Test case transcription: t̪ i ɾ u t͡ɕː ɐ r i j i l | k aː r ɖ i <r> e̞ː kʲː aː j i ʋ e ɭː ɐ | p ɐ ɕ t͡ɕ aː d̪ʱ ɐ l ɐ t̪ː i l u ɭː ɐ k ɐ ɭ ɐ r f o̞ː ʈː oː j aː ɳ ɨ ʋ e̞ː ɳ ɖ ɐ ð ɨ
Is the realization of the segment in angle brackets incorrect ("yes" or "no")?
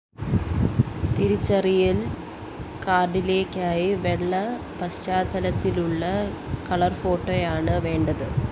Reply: yes